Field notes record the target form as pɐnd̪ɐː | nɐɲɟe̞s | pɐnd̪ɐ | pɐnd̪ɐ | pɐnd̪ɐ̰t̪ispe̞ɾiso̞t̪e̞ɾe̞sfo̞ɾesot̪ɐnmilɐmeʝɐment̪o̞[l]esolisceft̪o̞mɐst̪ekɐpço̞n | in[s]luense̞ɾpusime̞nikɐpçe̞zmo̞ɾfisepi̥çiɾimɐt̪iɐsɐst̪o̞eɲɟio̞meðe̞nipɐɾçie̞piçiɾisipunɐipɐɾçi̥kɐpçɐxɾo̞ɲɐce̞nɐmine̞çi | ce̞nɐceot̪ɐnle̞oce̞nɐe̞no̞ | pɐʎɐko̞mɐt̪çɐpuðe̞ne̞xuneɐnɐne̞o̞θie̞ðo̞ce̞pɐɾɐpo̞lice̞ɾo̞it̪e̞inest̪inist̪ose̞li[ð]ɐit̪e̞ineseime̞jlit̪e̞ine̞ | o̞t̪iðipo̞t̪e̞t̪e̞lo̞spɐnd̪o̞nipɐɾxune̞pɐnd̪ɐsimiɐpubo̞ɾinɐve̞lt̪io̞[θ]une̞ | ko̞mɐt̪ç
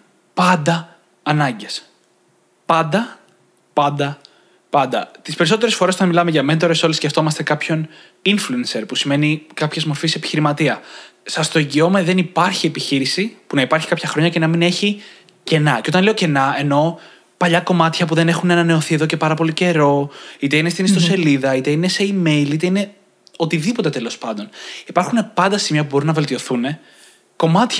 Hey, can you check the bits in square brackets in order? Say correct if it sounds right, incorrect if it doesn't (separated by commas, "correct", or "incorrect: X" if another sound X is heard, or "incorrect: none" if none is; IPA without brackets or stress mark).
incorrect: ɾ, incorrect: f, correct, correct